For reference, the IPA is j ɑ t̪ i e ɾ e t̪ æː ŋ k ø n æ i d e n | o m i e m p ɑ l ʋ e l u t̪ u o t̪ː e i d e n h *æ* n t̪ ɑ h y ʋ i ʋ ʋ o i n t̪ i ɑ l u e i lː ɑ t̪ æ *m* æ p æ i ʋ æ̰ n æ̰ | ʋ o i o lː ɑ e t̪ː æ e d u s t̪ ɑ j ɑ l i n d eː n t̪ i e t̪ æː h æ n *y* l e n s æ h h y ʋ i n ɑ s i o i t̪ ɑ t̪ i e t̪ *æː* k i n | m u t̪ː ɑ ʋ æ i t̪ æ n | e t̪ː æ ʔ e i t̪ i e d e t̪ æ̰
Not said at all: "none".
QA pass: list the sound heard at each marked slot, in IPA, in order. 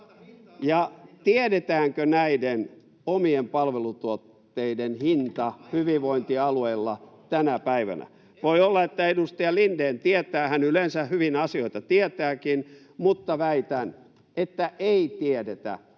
i, n, y, æː

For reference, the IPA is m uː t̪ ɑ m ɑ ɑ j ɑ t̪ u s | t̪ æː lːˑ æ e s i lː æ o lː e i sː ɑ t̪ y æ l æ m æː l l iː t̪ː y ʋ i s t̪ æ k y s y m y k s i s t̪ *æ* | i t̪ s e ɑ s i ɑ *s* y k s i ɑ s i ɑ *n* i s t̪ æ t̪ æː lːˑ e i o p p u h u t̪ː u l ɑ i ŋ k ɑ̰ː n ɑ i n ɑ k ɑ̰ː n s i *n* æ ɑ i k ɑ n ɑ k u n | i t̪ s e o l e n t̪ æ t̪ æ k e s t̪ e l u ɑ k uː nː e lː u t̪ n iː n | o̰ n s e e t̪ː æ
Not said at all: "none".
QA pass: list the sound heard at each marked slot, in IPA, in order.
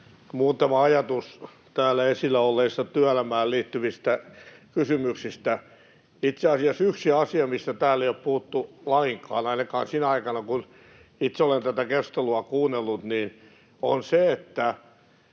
æ, s, m, n

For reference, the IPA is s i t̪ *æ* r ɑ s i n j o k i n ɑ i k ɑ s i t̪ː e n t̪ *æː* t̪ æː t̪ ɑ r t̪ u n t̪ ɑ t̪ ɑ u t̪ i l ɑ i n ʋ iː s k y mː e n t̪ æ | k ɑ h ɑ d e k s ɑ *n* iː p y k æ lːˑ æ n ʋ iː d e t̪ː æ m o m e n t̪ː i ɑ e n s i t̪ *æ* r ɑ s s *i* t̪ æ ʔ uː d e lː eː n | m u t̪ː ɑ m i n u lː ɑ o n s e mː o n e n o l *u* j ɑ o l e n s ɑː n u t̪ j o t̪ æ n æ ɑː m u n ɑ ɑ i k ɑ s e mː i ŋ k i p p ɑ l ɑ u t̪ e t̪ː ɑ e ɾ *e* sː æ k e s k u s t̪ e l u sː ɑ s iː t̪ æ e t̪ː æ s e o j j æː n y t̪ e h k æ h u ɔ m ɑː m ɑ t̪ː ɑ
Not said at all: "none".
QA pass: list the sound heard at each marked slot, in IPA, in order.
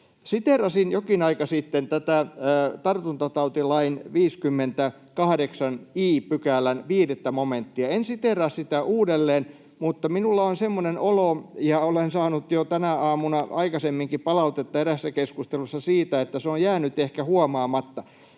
e, æ, n, e, i, o, æ

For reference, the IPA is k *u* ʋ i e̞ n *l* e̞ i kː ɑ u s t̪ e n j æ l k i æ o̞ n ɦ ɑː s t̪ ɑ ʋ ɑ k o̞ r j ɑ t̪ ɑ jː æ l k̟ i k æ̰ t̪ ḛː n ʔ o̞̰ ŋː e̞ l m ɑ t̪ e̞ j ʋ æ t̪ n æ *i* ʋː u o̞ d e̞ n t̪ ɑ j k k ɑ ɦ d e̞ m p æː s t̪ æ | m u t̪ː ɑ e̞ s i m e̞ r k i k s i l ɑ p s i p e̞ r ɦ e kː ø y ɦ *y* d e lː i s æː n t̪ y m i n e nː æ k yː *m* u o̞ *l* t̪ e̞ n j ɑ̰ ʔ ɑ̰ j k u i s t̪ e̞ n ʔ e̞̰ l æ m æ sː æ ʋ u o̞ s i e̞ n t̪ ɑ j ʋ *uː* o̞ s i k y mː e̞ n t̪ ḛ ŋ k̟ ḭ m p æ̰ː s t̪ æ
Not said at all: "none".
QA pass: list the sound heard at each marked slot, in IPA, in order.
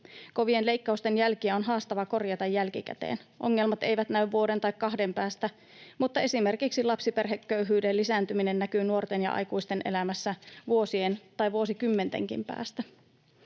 o, l, y, yː, n, r, u

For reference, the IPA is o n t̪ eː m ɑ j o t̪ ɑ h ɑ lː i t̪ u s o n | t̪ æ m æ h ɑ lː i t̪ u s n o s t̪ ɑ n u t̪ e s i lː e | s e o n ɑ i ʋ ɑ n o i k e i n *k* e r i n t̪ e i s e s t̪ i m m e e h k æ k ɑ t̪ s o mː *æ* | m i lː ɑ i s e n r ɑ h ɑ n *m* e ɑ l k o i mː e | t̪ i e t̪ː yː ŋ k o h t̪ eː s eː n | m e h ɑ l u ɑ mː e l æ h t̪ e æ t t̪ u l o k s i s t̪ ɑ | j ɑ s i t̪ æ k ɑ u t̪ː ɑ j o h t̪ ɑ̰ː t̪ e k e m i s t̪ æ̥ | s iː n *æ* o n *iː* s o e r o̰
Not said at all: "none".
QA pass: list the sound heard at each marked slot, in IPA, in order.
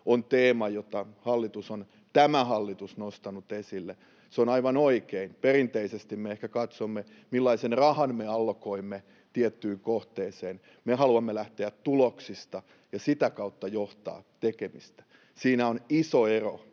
p, e, m, æ, i

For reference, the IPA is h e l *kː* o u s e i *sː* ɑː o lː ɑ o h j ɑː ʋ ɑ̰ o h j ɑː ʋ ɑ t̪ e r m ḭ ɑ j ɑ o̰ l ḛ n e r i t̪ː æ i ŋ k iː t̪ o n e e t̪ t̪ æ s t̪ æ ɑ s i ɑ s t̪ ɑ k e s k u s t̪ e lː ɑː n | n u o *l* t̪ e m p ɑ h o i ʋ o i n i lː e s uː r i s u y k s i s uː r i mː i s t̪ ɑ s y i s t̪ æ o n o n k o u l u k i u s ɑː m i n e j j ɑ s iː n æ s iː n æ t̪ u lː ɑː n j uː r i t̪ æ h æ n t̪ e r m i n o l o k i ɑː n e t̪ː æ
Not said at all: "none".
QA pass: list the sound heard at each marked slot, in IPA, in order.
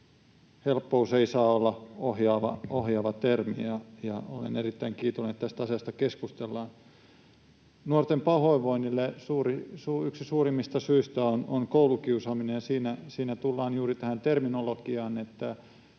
pː, s, r

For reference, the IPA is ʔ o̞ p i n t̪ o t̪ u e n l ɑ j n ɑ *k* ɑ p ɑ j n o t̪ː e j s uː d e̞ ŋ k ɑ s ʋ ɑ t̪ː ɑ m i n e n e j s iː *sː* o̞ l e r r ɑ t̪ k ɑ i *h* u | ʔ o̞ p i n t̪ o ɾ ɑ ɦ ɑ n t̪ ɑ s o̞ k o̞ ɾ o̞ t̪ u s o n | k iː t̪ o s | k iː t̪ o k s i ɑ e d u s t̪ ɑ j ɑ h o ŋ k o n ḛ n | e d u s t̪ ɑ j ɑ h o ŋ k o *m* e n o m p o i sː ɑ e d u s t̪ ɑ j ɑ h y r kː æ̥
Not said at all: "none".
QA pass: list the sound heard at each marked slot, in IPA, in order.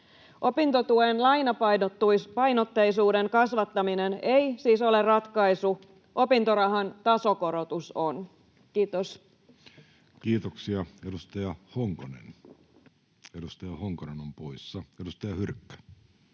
p, s, s, n

